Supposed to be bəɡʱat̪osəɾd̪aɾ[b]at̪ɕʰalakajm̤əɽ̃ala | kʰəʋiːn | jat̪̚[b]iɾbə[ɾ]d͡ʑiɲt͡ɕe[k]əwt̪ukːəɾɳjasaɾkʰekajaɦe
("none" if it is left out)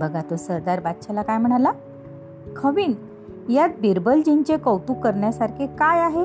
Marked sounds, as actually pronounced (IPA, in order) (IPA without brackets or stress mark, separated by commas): b, b, l, k